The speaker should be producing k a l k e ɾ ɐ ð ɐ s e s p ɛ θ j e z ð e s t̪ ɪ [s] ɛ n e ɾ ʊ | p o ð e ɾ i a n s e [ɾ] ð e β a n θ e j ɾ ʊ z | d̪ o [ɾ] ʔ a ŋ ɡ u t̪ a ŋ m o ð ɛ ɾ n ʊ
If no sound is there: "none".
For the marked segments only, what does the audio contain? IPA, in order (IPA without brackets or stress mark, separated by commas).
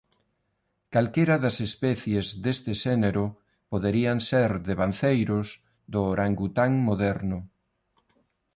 ʃ, ɾ, ɾ